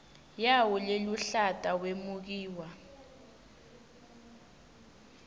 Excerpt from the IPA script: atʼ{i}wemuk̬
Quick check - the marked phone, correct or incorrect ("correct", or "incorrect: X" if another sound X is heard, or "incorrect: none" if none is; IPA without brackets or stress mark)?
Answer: incorrect: a